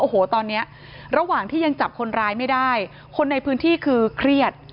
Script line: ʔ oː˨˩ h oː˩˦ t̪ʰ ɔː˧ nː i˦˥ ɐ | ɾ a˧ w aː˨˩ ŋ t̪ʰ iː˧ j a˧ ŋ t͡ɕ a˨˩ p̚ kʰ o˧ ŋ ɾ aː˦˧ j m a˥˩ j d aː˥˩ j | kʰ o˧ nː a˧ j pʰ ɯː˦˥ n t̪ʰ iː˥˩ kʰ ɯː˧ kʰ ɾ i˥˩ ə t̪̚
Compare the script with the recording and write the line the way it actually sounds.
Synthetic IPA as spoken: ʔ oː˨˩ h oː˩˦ t̪ ɔː˧ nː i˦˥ ɐ | ɾ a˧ w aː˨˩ ŋ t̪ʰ iː˥˩ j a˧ ŋ t͡ɕ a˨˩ p̚ kʰ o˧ n ɾ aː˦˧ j m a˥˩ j d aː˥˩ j | kʰ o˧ nː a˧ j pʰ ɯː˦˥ n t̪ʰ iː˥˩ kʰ ɯː˧ kʰ ɾ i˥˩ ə t̪̚